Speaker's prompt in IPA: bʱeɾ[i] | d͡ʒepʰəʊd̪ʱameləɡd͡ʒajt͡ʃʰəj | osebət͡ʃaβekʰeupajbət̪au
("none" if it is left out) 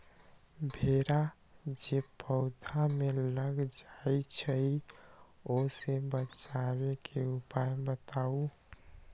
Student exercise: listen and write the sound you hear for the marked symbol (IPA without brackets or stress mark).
a